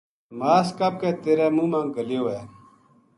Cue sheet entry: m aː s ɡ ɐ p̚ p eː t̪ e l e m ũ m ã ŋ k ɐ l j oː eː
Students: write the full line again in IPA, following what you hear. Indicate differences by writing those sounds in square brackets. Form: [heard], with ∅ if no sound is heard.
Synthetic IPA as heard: m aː s [k] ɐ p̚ [k] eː t̪ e [ɾ] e m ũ m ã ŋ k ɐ l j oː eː